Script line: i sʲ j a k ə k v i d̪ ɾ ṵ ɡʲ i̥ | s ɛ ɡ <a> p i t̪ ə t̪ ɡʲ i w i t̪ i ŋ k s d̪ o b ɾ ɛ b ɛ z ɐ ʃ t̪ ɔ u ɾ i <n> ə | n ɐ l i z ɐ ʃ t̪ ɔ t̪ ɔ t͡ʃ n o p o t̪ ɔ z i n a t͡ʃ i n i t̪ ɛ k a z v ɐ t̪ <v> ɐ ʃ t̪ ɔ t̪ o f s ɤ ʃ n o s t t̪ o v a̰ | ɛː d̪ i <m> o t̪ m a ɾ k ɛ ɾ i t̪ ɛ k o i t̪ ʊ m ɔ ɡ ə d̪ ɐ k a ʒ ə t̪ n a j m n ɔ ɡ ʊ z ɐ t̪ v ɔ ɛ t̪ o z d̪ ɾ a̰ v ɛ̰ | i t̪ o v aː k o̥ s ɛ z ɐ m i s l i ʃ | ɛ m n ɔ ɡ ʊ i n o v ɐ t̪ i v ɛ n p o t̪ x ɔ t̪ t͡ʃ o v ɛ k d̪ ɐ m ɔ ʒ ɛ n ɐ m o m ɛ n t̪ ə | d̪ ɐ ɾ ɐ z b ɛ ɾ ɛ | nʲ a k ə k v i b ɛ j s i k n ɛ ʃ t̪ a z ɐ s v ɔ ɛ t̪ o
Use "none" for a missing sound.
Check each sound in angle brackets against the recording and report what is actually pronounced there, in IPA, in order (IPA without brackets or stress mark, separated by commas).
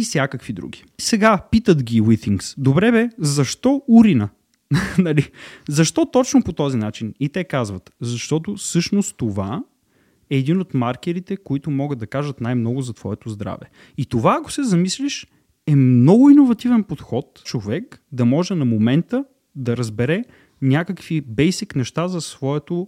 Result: a, n, z, n